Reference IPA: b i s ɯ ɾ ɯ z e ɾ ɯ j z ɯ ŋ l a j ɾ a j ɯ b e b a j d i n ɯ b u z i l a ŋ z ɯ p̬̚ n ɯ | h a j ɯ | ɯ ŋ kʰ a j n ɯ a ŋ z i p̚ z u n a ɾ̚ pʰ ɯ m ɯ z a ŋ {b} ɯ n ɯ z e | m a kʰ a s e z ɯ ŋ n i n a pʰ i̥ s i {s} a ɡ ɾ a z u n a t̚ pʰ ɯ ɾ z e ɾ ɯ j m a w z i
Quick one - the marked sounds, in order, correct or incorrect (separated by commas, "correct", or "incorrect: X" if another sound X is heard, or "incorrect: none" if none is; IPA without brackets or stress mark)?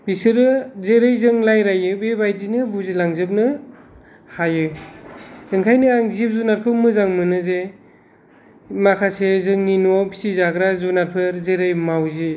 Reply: incorrect: m, incorrect: z